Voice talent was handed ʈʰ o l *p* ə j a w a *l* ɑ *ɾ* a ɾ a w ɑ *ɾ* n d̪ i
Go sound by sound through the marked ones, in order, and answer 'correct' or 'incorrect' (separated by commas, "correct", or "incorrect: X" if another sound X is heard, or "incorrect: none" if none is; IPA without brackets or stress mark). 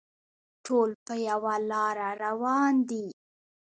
correct, correct, correct, incorrect: none